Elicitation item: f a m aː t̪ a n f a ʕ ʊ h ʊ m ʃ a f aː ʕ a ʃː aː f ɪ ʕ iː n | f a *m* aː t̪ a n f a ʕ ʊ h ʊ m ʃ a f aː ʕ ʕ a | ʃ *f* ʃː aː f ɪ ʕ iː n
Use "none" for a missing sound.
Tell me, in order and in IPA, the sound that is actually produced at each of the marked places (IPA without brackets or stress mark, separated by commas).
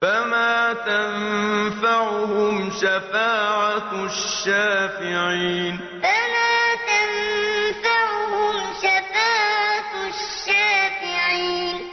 m, ʃ